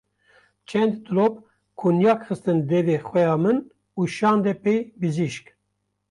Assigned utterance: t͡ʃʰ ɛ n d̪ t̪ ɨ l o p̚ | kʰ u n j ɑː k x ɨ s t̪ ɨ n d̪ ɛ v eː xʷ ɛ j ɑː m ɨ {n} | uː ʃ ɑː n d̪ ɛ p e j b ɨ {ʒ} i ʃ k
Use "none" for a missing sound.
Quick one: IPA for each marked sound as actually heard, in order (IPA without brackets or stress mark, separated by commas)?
n, z